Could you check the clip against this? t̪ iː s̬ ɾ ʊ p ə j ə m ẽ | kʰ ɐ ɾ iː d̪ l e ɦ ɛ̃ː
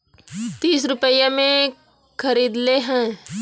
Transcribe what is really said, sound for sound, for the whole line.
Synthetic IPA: t̪ iː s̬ ɾ ʊ p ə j a m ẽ | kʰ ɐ ɾ iː d̪ l e ɦ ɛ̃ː